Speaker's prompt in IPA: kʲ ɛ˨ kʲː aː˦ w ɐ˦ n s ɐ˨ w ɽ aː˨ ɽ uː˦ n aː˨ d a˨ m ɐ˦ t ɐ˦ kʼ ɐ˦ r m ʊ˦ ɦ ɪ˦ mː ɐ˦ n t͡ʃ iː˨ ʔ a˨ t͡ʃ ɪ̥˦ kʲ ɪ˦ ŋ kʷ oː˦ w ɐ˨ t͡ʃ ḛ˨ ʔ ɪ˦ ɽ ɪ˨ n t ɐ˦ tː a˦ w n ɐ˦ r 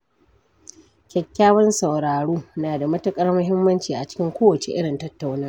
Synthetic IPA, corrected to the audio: kʲ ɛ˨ kʲː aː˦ w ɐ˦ n s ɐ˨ w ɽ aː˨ ɽ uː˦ n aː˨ d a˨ m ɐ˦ t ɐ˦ kʼ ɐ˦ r m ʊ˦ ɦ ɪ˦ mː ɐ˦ n t͡ʃ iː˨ ʔ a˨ t͡ʃ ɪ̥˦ kʲ ɪ˦ ŋ kʷ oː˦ w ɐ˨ t͡ʃ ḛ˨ ʔ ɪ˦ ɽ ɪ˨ n t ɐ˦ tː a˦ w n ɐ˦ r